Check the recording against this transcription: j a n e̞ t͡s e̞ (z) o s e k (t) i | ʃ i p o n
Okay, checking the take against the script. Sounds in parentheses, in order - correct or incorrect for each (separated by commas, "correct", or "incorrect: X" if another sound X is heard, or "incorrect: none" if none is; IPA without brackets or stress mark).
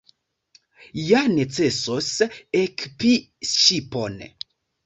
incorrect: s, incorrect: p